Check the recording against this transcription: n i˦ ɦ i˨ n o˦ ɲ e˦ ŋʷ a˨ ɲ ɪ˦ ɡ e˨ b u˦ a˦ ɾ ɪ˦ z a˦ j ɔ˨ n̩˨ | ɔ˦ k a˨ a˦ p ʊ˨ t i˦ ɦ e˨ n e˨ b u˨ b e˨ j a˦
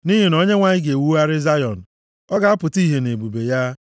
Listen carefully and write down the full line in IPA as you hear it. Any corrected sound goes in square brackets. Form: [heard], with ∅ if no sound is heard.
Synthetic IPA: n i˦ ɦ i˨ n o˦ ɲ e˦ ŋʷ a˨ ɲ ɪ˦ ɡ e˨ [w] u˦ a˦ ɾ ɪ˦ z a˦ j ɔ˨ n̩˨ | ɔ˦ [ɡ] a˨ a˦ p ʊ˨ t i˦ ɦ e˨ n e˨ b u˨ b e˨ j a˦